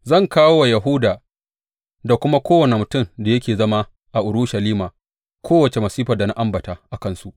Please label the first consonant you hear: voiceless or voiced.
voiced